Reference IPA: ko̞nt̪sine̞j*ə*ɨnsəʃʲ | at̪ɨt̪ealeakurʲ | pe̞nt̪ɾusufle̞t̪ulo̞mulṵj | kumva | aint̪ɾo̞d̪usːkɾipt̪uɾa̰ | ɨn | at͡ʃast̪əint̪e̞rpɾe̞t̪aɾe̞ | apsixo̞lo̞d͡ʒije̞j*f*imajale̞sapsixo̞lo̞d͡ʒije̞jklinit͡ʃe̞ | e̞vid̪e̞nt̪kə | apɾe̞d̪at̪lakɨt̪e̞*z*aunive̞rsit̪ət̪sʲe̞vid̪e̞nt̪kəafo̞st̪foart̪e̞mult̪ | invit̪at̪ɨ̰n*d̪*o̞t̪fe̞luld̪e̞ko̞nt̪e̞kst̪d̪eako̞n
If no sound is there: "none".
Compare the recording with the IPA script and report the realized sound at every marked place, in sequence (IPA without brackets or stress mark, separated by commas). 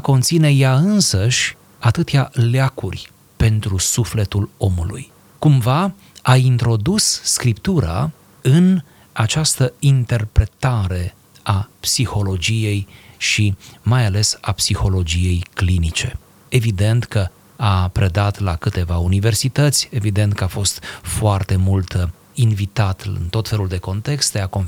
a, ʃ, v, t̪